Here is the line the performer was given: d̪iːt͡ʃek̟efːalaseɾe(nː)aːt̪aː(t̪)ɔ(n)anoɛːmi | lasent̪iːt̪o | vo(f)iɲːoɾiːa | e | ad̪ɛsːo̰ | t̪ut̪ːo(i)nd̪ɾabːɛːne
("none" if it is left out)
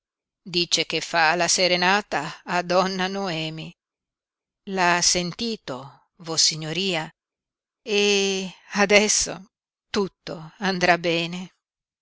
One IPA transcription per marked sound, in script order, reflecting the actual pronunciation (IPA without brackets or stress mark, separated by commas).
n, d̪, nː, s, a